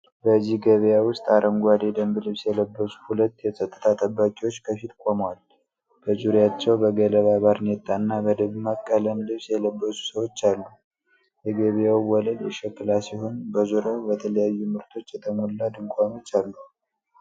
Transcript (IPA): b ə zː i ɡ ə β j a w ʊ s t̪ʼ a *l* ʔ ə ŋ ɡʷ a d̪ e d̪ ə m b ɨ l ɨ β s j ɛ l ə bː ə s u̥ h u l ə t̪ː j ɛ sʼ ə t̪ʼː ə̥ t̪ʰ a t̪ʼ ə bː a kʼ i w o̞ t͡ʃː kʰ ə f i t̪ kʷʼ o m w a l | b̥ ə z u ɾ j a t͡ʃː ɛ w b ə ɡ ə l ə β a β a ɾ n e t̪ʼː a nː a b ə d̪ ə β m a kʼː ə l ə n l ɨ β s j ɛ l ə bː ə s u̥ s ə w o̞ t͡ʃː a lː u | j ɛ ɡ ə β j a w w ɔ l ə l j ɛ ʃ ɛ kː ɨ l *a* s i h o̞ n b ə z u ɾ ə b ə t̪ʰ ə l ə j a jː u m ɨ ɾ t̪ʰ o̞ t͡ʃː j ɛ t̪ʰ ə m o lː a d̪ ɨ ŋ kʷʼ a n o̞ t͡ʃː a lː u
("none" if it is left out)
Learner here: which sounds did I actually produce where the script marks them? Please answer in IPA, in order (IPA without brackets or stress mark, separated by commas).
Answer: ɾ, a